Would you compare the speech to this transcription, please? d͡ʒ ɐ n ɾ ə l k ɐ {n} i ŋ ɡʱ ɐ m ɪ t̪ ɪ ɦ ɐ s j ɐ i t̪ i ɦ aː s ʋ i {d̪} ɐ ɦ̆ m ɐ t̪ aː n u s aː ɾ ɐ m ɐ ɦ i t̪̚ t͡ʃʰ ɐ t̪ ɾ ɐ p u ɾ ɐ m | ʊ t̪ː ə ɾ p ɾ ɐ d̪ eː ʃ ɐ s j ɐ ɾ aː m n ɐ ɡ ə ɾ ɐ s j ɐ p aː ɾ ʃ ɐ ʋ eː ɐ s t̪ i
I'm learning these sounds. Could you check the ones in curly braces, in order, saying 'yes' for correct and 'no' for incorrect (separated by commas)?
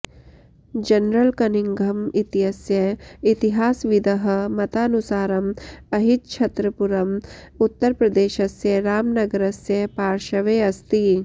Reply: yes, yes